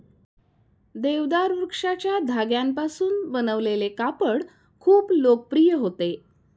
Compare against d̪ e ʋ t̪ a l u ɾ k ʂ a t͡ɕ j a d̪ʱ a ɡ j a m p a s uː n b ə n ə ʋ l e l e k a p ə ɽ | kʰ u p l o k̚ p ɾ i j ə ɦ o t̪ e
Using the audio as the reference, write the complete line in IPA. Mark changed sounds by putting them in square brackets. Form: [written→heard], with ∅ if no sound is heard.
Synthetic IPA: d̪ e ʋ [t̪→d̪] a [l→ɾ] u ɾ k ʂ a t͡ɕ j a d̪ʱ a ɡ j a m p a s uː n b ə n ə ʋ l e l e k a p ə ɽ | kʰ [u→uː] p l o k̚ p ɾ i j ə ɦ o t̪ e